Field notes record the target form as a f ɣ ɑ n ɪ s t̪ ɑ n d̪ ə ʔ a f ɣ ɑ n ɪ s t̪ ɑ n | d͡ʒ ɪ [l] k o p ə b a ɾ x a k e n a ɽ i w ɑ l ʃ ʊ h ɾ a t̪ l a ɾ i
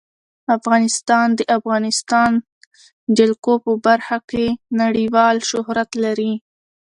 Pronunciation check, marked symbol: correct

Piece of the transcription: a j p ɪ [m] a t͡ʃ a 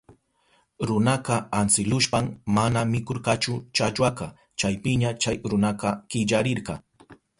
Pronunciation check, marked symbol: incorrect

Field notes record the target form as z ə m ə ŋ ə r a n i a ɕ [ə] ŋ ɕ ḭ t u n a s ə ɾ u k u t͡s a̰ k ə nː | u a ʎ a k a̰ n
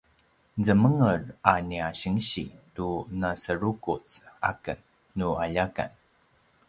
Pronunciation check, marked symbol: correct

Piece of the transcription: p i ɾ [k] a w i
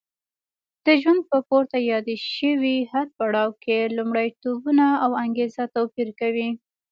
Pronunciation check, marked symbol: correct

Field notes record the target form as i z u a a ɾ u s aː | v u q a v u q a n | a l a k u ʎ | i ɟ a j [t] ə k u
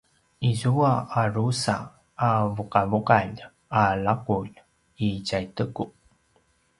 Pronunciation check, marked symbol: correct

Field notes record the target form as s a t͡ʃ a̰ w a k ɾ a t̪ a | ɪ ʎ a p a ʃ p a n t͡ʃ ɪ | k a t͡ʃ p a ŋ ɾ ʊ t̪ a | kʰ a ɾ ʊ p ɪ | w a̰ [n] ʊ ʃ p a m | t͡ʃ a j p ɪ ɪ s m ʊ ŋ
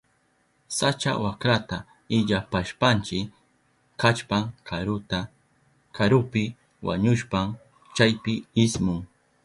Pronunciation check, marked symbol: incorrect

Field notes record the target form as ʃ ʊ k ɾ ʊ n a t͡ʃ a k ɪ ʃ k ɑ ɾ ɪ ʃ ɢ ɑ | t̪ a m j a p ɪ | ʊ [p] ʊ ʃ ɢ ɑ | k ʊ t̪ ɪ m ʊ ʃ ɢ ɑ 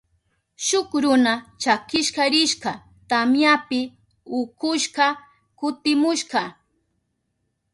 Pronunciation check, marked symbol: incorrect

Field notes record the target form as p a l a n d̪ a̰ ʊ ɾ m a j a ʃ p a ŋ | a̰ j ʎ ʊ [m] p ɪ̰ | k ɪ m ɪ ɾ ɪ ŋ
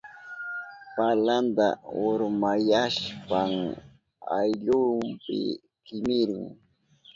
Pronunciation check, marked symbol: correct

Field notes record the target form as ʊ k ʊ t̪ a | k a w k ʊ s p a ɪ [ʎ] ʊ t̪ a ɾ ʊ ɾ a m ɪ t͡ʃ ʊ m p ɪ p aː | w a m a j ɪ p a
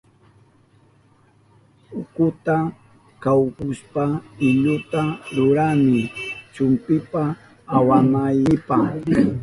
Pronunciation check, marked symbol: correct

